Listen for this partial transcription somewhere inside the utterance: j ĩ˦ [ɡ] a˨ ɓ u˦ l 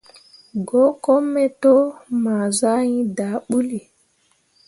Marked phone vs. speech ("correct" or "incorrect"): incorrect